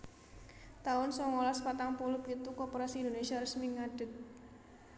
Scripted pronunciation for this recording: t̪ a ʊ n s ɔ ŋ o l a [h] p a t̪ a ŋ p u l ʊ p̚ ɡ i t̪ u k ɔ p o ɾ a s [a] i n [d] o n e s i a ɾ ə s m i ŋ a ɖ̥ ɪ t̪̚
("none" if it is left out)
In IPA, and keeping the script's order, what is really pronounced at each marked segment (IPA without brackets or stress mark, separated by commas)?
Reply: s, i, d